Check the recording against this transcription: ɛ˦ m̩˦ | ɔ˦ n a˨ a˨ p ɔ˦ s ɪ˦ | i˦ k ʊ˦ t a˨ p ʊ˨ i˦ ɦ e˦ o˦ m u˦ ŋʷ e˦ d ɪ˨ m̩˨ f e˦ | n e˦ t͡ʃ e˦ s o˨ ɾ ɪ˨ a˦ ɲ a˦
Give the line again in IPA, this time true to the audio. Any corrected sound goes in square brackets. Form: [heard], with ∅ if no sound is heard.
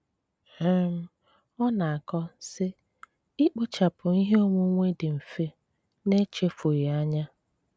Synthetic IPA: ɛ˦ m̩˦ | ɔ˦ n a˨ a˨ [k] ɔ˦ s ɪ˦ | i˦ [k͡p] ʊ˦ [t͡ʃ] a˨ p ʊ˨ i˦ ɦ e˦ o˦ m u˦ ŋʷ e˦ d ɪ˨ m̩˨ f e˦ | n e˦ t͡ʃ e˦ [f] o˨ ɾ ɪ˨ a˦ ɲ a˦

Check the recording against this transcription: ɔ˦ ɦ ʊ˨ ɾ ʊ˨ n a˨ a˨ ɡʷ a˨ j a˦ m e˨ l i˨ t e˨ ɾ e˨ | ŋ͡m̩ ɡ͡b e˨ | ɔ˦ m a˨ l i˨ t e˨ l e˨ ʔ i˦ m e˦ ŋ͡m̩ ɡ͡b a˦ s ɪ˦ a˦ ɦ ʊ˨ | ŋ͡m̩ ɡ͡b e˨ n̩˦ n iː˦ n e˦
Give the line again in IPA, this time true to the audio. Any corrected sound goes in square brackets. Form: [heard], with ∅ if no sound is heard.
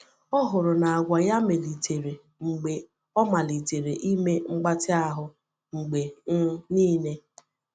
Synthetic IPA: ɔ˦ ɦ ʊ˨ ɾ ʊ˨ n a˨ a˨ ɡʷ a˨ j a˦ m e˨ l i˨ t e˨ ɾ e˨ | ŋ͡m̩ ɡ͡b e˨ | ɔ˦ m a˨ l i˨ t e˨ [ɾ] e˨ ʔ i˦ m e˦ ŋ͡m̩ ɡ͡b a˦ [t] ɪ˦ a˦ ɦ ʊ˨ | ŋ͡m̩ ɡ͡b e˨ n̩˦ n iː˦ n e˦

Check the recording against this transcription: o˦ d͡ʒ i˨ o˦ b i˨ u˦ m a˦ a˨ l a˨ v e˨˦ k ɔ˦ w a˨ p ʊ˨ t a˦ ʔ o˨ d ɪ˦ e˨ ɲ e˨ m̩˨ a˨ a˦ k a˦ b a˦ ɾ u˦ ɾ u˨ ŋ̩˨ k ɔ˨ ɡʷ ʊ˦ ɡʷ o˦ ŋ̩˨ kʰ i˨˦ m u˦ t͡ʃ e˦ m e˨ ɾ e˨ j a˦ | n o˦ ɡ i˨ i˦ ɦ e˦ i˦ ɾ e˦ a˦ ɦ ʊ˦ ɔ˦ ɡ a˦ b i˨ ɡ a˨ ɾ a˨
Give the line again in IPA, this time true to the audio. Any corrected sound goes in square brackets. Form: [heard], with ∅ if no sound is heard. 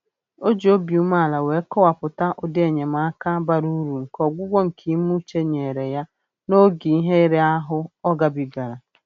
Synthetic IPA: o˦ d͡ʒ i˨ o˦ b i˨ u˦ m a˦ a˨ l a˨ [w] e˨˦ k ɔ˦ w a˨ p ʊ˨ t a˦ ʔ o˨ d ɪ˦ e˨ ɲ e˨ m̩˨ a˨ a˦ k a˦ b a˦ ɾ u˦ ɾ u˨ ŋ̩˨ k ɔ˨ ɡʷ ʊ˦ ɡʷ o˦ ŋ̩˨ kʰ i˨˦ m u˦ t͡ʃ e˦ [ɲ] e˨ ɾ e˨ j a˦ | n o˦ ɡ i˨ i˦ ɦ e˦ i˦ ɾ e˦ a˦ ɦ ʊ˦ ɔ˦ ɡ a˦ b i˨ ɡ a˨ ɾ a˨

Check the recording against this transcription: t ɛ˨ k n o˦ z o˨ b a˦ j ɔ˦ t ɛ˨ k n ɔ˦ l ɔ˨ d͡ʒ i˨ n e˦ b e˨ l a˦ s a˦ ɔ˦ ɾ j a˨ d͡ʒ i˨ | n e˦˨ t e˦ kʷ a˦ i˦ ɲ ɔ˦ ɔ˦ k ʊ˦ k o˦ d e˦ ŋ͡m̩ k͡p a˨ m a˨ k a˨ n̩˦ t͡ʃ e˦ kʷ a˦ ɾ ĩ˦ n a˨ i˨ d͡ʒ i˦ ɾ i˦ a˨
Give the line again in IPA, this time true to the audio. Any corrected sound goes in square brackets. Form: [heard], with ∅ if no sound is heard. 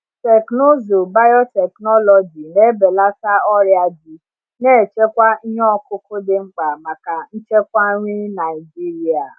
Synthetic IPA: t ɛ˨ k n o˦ z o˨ b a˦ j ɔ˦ t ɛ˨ k n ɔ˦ l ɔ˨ d͡ʒ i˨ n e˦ b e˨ l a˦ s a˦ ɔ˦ ɾ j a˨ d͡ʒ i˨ | n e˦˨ [t͡ʃ] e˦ kʷ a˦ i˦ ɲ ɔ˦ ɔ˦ k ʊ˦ k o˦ d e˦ ŋ͡m̩ k͡p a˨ m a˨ k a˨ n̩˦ t͡ʃ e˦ kʷ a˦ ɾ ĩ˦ n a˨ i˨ d͡ʒ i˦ ɾ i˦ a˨

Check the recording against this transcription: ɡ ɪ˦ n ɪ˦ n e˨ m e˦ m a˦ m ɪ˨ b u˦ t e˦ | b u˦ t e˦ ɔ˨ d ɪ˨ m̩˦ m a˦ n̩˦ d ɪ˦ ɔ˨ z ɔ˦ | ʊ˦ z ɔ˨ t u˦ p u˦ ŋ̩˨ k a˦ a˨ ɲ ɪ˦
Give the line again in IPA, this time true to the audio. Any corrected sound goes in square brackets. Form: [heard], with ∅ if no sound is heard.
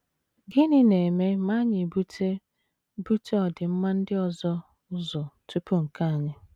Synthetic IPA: ɡ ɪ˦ n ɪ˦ n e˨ m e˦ m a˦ [ɲ] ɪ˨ b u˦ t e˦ | b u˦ t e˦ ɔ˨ d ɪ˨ m̩˦ m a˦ n̩˦ d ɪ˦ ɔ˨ z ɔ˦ | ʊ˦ z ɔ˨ t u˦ p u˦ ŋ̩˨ k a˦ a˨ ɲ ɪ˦

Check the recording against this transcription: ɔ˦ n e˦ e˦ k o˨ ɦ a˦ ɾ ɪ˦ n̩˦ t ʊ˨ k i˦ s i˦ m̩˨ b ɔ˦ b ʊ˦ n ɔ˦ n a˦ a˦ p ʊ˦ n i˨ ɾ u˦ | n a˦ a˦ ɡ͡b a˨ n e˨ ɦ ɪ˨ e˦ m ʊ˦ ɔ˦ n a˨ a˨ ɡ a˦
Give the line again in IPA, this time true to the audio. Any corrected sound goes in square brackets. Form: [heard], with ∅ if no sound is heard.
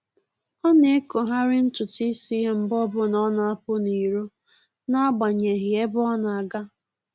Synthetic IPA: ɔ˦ n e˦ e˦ k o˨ ɦ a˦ ɾ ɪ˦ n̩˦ t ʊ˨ [t] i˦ s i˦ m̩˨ b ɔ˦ b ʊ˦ n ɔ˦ n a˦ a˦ p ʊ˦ n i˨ ɾ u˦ | n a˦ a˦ ɡ͡b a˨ [ɲ] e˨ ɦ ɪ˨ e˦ [b] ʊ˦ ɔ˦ n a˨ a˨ ɡ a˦

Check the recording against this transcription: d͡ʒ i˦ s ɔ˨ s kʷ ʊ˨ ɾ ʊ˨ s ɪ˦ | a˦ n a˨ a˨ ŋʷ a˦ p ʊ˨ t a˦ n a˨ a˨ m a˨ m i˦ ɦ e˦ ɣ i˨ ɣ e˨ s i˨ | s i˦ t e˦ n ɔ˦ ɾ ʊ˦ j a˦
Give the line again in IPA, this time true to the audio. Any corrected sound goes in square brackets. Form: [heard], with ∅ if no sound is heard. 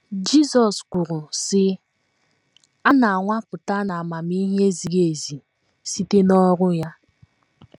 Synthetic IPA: d͡ʒ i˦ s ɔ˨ s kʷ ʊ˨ ɾ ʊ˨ s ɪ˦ | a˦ n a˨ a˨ ŋʷ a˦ p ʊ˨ t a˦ n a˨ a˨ m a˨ m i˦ ɦ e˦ [z] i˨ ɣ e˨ [z] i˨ | s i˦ t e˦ n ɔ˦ ɾ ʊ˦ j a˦

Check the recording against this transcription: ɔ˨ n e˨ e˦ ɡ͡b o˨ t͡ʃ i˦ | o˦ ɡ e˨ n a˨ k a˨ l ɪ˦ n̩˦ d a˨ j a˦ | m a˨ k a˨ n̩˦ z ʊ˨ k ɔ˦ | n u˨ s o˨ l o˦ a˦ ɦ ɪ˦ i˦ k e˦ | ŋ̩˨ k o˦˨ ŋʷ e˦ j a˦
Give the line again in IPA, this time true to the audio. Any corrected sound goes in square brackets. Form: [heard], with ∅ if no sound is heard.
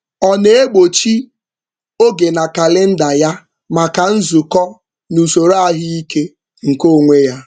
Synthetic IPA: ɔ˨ n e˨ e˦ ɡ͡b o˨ t͡ʃ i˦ | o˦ ɡ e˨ n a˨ k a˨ l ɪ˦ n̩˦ d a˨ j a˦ | m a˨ k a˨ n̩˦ z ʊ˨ k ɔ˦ | n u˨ s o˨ [ɾ] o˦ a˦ ɦ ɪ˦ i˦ k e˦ | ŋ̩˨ k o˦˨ ŋʷ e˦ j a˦

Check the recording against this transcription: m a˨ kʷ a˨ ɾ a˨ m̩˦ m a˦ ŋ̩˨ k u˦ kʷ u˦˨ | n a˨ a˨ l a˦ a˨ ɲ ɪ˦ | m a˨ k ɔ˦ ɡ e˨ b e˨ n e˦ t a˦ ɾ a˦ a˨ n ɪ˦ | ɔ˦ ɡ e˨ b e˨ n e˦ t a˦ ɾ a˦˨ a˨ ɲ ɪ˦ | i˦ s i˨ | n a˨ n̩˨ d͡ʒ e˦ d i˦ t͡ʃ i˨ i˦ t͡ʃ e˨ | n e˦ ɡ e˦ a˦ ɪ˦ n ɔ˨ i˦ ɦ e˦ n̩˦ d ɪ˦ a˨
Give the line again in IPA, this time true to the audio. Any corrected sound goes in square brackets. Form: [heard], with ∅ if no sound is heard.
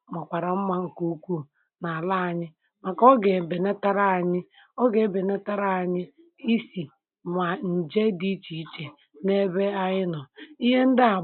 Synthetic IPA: m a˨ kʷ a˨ ɾ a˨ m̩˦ m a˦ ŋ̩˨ k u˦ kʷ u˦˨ | n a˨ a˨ l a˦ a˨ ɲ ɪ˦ | m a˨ k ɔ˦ ɡ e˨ b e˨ n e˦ t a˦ ɾ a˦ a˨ [ɲ] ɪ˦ | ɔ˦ ɡ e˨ b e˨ n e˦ t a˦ ɾ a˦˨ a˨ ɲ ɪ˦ | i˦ s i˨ | [m] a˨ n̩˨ d͡ʒ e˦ d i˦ t͡ʃ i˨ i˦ t͡ʃ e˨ | n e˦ [b] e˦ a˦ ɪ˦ n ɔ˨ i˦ ɦ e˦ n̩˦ d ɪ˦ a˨

